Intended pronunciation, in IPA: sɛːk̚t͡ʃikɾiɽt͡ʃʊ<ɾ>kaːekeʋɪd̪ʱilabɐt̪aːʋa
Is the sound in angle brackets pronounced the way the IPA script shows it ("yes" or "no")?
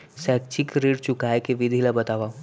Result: no